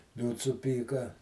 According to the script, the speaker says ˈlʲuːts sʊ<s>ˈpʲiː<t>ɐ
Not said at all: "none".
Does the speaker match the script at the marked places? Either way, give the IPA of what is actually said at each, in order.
none, k

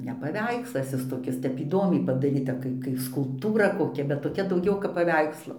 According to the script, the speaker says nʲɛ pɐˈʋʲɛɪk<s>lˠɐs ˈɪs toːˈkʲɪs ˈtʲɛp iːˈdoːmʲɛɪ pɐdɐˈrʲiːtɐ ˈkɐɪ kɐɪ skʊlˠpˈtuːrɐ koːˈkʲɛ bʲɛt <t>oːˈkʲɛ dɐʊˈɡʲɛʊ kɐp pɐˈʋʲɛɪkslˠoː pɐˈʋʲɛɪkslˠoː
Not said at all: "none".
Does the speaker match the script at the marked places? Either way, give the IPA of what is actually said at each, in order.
s, t

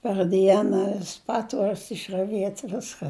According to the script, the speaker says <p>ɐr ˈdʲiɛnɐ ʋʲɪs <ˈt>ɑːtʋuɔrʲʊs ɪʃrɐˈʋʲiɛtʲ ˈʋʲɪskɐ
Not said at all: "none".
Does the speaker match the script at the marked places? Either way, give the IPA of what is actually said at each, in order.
p, p

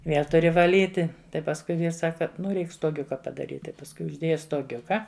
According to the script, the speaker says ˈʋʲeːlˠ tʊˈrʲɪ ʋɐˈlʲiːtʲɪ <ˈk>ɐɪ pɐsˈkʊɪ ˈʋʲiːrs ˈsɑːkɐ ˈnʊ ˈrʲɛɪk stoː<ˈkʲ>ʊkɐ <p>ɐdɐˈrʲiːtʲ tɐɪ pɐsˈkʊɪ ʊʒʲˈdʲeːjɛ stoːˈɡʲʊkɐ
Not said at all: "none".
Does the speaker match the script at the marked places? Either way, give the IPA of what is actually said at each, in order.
t, ɡʲ, p

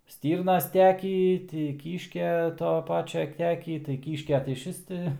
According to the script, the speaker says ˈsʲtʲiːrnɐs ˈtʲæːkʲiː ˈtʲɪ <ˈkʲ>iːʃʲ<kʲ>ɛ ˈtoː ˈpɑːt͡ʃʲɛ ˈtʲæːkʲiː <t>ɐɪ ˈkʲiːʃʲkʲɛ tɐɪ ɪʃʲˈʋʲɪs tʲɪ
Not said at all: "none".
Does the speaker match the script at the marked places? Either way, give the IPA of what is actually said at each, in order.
kʲ, kʲ, t

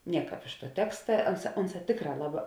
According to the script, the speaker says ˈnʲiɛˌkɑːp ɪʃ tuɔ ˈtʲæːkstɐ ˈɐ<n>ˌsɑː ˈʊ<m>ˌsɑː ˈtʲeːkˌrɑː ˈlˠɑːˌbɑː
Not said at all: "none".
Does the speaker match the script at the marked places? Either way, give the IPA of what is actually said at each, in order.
n, n

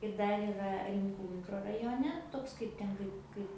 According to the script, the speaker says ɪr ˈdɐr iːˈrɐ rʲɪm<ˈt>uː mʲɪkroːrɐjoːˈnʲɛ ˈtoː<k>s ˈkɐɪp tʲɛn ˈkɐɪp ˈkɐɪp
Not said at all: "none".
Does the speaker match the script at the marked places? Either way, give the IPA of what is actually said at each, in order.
k, k

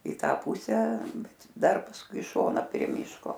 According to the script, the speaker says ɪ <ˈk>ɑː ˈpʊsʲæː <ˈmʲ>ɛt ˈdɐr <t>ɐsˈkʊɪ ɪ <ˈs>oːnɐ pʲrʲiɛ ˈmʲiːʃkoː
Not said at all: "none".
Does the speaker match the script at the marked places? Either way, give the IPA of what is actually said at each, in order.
t, bʲ, p, ʃ

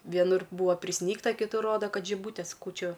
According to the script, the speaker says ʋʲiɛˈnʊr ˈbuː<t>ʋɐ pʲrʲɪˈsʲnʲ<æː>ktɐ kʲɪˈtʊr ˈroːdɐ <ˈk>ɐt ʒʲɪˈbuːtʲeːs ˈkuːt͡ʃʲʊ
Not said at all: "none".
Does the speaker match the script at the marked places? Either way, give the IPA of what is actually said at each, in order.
none, iː, k

